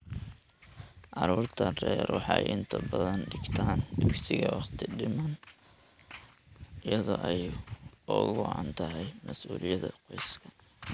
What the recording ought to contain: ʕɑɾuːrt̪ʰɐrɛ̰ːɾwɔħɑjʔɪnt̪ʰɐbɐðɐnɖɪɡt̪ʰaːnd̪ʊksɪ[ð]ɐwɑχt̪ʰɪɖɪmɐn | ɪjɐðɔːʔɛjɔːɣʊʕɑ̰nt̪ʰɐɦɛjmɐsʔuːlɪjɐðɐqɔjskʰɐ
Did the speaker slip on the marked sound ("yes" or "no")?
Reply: yes